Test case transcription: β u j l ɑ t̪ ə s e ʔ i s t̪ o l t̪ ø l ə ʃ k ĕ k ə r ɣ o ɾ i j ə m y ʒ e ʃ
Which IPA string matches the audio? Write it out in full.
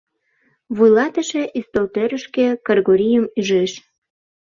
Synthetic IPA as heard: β u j l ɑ t̪ ə ʃ e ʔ i s t̪ o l t̪ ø ɾ ə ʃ k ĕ k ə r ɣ o ɾ i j ə m y ʒ e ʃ

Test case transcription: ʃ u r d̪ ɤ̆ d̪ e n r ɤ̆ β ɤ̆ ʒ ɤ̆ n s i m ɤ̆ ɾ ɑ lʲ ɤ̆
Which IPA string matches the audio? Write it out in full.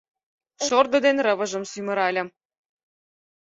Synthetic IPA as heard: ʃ o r d̪ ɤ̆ d̪ e n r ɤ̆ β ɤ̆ ʒ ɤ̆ m s y m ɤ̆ ɾ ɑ lʲ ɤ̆

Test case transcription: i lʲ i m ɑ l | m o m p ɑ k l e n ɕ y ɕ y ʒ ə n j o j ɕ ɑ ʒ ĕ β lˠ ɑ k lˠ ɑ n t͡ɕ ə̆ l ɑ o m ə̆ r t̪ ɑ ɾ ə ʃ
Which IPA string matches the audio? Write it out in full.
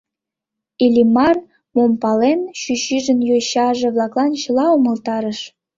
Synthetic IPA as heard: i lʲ i m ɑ r | m o m p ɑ l e n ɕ y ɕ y ʒ ə n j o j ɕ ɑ ʒ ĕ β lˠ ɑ k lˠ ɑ n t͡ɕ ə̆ l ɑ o m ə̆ l t̪ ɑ ɾ ə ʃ

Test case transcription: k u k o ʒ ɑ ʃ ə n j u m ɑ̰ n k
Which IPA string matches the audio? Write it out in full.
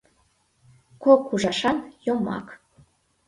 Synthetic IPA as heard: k o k u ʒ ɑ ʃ ɑ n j o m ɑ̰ k

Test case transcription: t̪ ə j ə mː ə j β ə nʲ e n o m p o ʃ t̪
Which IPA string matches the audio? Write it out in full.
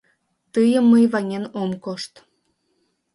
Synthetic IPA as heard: t̪ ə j ə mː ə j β ɑ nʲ e n o m k o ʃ t̪

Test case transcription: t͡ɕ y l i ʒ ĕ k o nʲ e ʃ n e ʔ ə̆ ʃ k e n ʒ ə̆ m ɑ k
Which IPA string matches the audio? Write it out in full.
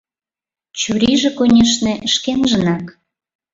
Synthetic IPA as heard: t͡ɕ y ɾ i ʒ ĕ k o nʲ e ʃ n e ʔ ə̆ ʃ k e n ʒ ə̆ n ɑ k

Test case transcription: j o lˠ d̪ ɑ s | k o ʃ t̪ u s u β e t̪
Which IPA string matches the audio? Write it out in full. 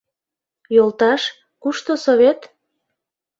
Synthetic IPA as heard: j o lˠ t̪ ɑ ʃ | k u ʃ t̪ o s o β e t̪

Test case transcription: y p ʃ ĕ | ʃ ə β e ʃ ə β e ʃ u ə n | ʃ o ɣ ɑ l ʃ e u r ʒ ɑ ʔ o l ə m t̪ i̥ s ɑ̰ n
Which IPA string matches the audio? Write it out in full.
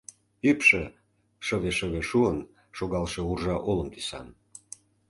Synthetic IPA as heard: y p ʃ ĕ | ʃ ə β e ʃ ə β e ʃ u ə n | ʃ o ɣ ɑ l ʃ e u r ʒ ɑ ʔ o l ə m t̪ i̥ s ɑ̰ n

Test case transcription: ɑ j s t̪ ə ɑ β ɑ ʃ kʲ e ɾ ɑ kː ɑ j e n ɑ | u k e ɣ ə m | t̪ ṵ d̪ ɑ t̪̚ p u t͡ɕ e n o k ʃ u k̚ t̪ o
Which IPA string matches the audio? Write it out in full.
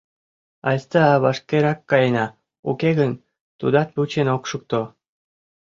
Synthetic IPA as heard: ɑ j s t̪ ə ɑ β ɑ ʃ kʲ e ɾ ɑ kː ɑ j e n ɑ | u k e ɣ ə n | t̪ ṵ d̪ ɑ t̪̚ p u t͡ɕ e n o k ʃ u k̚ t̪ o

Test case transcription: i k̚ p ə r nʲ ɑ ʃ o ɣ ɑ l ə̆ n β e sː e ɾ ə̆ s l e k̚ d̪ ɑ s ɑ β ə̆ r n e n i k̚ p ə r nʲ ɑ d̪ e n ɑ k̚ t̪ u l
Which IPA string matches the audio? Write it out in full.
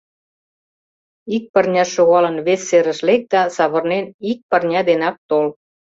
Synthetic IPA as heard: i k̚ p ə r nʲ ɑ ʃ o ɣ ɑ l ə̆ n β e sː e ɾ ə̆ ʃ l e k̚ d̪ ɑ s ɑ β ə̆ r n e n i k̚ p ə r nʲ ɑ d̪ e n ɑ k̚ t̪ o l

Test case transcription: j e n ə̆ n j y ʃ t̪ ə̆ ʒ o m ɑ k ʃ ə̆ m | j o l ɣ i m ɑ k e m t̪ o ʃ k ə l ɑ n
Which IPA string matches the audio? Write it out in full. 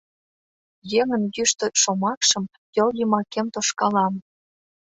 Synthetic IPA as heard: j e ŋ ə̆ n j y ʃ t̪ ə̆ ʃ o m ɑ k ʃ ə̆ m | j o l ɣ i m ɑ k e m t̪ o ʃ k ɑ l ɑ m

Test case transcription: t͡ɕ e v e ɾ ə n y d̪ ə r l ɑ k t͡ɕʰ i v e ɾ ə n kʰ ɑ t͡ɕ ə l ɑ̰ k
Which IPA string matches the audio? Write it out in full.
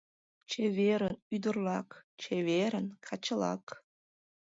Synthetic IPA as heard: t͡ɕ e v e ɾ ə n y d̪ ə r l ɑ k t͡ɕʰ e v e ɾ ə n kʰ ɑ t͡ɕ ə l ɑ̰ k

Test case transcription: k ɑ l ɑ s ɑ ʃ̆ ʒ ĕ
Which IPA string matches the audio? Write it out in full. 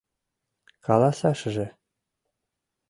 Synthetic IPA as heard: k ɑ l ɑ s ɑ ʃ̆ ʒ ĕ

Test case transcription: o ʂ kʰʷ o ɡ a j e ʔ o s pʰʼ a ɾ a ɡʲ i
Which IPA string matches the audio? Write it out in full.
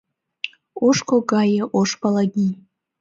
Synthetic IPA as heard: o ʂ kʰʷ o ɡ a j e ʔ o ʂ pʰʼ a l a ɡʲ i

